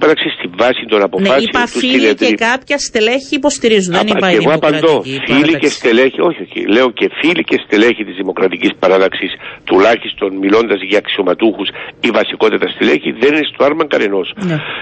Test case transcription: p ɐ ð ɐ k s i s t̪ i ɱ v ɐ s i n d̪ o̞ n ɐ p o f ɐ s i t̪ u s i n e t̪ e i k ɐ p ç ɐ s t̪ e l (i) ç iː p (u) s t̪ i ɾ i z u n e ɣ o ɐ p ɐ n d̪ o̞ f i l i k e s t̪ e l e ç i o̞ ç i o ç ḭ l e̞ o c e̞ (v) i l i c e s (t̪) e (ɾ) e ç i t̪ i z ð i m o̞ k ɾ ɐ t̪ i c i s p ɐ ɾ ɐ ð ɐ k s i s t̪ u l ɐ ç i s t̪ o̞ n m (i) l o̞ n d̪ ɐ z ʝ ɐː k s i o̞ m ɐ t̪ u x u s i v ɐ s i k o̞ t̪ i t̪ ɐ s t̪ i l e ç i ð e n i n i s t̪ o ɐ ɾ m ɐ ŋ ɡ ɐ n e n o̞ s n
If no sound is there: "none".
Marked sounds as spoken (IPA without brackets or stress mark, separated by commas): e, o, f, t̪, l, i